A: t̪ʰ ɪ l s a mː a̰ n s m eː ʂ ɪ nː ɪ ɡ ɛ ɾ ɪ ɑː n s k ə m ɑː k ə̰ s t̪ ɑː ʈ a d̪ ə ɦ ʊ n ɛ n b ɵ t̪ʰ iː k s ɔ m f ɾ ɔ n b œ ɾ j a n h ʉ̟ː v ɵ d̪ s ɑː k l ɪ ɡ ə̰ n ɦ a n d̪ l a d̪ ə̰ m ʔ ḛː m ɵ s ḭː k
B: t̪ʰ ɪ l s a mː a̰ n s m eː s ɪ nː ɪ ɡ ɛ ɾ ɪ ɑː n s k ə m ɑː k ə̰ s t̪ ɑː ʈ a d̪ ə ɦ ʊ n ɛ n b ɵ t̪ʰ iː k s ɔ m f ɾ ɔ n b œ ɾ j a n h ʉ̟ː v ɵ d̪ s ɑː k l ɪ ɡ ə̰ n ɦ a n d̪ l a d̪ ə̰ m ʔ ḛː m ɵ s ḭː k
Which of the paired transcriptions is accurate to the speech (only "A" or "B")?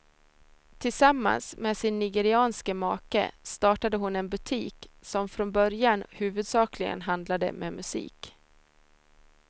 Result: B